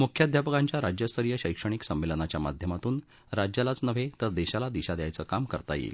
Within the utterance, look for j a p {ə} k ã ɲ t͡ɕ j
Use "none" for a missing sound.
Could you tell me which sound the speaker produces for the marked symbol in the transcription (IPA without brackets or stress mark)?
ə